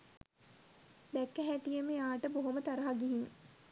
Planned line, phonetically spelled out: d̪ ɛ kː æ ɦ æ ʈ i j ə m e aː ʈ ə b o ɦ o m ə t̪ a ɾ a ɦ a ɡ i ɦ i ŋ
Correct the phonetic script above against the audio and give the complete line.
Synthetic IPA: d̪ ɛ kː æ ɦ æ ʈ i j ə m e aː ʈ ə b o ɦ o m ə t̪ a ɾ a ɦ a ɡ i ɦ i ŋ